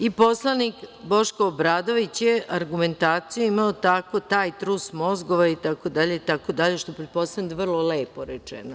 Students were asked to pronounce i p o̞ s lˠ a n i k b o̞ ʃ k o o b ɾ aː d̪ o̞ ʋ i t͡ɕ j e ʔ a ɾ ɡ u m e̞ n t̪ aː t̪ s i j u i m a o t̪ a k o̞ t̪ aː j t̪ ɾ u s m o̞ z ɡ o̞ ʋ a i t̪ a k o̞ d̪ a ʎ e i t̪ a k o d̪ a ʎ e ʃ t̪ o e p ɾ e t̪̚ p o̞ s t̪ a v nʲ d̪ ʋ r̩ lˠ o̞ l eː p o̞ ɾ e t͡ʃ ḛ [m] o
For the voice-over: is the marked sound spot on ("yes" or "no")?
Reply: no